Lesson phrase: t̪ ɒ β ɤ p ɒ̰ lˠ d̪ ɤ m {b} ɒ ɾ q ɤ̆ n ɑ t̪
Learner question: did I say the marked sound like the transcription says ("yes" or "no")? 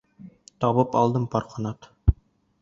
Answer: no